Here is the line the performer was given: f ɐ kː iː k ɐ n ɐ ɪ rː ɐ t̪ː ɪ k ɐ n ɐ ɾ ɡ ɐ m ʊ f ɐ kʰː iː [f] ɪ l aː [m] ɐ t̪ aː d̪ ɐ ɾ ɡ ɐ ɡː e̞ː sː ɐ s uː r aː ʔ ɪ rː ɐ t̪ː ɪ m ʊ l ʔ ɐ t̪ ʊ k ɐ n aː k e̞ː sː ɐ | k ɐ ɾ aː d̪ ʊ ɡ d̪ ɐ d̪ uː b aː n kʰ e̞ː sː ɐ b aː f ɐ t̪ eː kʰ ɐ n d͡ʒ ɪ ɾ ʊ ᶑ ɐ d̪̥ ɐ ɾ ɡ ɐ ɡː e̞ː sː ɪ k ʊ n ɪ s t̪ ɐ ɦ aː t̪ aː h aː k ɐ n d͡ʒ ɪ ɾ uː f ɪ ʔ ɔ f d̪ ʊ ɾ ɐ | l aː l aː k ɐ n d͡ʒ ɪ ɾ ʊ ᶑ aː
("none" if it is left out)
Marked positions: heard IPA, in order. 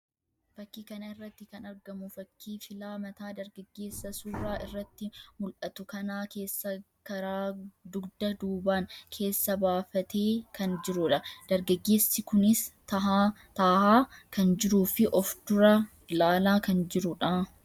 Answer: f, m

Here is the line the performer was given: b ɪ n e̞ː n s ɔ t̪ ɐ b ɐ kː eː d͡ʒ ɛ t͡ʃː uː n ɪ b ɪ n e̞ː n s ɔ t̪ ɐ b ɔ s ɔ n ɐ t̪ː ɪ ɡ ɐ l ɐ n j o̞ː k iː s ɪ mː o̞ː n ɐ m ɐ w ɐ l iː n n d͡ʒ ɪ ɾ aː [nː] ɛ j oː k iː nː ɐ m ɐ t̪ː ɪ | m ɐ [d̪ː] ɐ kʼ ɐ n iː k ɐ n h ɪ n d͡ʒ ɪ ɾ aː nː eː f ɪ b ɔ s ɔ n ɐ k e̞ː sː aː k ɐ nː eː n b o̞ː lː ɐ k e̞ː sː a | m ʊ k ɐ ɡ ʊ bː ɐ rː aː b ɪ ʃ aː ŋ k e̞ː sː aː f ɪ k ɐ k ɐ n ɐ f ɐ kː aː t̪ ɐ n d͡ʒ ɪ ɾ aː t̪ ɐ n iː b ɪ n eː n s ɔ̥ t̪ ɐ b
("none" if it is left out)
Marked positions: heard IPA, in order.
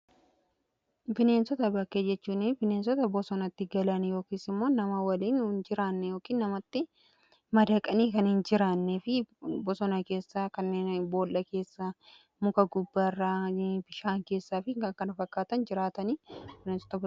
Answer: nː, d̪

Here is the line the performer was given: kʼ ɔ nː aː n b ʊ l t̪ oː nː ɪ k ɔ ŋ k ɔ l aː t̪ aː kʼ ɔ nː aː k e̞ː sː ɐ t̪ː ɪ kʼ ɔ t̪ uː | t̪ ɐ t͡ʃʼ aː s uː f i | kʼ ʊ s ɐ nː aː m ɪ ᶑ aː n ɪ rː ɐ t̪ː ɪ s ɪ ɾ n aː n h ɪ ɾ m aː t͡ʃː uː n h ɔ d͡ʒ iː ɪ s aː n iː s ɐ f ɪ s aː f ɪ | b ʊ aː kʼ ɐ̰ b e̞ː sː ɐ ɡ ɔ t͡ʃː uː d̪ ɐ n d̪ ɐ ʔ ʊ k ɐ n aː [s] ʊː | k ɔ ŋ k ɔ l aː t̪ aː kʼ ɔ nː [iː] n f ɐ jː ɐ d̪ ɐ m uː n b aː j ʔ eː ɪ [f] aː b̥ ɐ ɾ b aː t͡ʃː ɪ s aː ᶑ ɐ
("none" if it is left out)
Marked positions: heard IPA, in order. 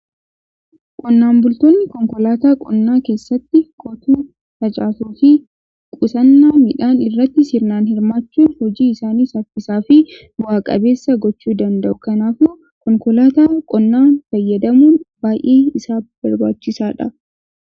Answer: f, aː, s

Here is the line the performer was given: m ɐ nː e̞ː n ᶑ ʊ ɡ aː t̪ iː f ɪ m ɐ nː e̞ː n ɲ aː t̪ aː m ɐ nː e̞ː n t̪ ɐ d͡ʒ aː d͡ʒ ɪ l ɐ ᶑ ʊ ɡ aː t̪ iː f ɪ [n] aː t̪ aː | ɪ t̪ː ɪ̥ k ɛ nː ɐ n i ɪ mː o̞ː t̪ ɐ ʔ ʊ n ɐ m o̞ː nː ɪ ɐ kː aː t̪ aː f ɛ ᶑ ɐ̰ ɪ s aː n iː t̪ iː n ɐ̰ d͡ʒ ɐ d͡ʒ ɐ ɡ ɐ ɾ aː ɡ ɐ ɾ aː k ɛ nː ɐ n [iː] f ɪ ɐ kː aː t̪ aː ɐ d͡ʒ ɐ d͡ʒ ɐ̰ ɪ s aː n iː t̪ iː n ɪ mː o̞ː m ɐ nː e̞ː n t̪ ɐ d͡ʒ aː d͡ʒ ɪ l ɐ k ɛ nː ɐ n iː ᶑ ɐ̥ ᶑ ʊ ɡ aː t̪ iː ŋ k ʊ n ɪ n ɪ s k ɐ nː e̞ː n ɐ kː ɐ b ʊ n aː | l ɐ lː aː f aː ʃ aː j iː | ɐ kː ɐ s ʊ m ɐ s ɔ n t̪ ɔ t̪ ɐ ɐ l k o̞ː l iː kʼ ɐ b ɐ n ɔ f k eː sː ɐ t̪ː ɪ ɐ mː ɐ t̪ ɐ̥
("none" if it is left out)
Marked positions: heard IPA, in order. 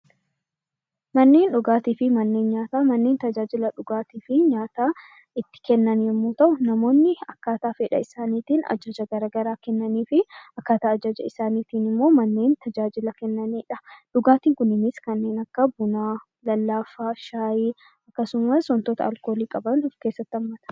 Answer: ɲ, iː

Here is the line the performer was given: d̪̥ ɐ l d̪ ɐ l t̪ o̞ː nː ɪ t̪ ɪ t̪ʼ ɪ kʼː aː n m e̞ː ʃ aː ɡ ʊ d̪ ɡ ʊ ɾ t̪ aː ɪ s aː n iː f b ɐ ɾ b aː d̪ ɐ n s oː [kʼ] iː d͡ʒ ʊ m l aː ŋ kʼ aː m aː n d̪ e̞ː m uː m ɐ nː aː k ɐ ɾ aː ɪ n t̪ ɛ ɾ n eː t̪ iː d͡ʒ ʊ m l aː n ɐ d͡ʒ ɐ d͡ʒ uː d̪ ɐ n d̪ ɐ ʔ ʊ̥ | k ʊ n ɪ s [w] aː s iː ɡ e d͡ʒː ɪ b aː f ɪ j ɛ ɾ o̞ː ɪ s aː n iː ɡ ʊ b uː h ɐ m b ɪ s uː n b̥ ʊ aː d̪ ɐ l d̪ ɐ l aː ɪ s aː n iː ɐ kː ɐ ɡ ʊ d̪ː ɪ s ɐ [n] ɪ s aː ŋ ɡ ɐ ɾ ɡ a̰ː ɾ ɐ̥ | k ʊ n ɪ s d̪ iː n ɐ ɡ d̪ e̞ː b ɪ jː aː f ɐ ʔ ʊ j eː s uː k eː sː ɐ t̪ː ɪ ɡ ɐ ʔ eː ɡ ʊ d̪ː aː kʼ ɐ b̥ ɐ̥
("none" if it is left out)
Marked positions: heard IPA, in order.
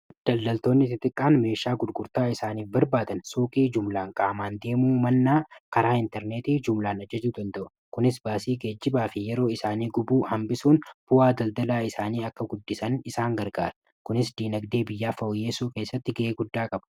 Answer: kʼ, b, n

